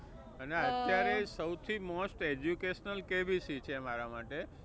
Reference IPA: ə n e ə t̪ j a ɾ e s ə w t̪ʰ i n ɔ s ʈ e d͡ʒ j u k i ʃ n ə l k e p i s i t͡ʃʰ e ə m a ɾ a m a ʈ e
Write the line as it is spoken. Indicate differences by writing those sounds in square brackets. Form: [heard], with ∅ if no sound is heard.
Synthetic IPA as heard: ə n e ə t̪ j a ɾ e s ə w t̪ʰ i [m] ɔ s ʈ e d͡ʒ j u k [e] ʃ n ə l k e [b] i s i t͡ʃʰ e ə m a ɾ a m a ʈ e